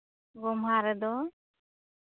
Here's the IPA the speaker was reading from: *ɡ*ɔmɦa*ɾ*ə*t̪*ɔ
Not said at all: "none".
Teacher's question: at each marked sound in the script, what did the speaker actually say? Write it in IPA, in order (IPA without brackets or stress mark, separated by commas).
ɡ, ɾ, d̪